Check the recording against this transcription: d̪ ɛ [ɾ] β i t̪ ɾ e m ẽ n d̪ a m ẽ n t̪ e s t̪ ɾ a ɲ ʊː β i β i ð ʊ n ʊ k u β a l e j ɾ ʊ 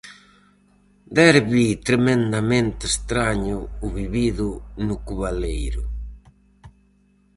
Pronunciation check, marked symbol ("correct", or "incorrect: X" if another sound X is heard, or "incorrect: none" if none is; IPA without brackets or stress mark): correct